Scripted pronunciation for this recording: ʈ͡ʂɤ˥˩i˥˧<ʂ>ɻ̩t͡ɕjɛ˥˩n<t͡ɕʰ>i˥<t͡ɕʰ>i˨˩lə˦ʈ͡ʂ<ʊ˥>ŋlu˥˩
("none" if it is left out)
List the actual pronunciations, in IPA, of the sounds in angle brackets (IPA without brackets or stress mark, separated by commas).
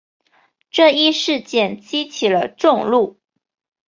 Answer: ʂ, t͡ɕ, t͡ɕʰ, ʊ˥˧